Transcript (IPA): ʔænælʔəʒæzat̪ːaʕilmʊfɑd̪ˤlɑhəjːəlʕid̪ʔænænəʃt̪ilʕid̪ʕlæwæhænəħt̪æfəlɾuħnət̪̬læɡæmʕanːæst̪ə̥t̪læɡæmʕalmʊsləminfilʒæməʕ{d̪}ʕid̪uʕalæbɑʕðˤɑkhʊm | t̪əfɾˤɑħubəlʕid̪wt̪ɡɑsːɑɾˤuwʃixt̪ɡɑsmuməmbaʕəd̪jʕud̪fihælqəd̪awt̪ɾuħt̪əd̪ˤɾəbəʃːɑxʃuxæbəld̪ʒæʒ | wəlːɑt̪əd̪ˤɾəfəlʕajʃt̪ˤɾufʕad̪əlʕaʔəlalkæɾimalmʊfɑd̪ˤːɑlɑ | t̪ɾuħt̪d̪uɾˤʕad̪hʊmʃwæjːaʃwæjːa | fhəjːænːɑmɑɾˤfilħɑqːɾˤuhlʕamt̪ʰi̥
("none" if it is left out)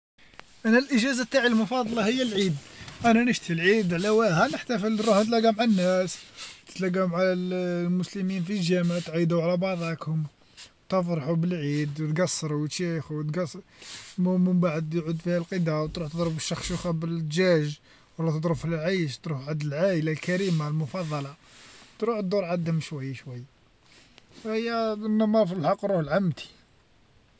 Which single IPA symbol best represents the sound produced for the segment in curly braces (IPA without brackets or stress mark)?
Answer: t̪